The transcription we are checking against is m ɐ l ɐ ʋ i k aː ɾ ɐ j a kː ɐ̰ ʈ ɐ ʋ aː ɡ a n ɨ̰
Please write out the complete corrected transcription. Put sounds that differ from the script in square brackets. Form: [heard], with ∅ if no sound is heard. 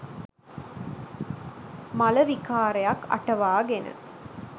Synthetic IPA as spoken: m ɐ l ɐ ʋ i k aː ɾ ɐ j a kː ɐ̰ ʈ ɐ ʋ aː ɡ [e] n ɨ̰